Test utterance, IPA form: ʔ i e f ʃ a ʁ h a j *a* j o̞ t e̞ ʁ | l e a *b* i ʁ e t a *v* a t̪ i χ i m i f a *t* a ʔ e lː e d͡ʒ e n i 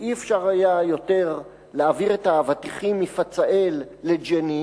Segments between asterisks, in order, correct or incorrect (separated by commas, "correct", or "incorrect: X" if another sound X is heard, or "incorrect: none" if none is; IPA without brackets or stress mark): correct, incorrect: v, correct, incorrect: t͡s